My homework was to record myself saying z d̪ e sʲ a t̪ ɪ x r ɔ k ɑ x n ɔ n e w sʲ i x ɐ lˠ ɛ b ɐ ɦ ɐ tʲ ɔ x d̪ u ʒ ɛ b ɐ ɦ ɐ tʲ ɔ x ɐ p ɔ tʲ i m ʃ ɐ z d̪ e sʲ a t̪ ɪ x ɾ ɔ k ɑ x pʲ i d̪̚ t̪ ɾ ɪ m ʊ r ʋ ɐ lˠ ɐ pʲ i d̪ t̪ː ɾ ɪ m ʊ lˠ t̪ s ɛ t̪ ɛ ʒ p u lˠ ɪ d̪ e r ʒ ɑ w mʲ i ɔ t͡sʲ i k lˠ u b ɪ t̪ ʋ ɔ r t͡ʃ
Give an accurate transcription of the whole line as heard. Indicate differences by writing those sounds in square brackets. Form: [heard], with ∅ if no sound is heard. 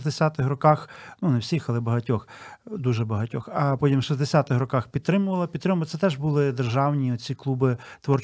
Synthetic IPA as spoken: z d̪ e sʲ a t̪ ɪ x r ɔ k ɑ x n [u] n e w sʲ i x ɐ lˠ ɛ b ɐ ɦ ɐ tʲ ɔ x d̪ u ʒ ɛ b ɐ ɦ ɐ tʲ ɔ x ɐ p ɔ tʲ i m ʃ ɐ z d̪ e sʲ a t̪ ɪ x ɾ ɔ k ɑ x pʲ i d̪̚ t̪ ɾ ɪ m ʊ [∅] ʋ ɐ lˠ ɐ pʲ i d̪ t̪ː ɾ ɪ m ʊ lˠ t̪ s ɛ t̪ ɛ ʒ [b] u lˠ ɪ d̪ e r ʒ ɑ w [nʲ] i ɔ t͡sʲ i k lˠ u b ɪ t̪ ʋ ɔ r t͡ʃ